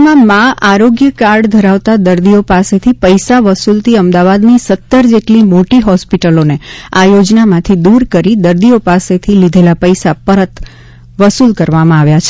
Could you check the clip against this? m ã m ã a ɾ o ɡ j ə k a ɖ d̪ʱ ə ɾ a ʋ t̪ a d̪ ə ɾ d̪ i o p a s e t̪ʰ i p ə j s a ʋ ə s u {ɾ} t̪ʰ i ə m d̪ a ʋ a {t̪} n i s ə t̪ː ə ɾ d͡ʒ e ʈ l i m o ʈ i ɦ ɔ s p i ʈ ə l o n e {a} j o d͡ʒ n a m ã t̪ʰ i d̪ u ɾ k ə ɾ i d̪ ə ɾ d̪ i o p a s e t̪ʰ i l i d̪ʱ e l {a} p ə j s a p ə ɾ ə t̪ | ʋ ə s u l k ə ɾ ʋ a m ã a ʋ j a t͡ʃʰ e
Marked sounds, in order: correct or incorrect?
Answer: incorrect, incorrect, correct, correct

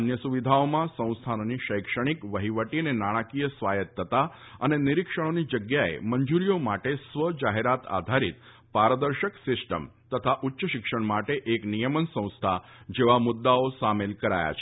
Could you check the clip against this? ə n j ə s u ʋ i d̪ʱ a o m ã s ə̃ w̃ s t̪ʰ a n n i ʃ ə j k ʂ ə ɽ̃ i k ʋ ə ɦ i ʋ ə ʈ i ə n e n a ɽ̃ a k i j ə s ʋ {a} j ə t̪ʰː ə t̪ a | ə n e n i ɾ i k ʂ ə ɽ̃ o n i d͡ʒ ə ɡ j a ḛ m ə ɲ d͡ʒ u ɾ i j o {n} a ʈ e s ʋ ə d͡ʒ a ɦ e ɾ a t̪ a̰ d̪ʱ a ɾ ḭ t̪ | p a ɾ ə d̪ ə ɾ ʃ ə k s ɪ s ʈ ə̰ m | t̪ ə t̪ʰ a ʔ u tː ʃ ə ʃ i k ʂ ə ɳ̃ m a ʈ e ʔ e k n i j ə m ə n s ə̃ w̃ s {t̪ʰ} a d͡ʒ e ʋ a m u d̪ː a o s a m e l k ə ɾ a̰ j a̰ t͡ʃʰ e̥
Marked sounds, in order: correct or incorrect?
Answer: correct, incorrect, correct

